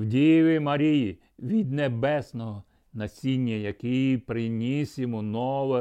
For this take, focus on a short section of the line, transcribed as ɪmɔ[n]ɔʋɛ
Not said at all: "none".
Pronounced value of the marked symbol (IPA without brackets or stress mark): n